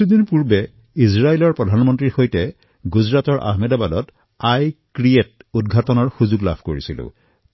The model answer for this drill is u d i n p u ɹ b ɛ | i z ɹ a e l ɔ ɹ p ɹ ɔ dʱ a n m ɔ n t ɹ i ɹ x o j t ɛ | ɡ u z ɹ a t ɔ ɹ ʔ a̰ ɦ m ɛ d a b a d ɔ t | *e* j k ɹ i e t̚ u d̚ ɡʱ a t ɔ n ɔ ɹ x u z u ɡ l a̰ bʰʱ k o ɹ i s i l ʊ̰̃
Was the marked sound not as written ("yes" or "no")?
yes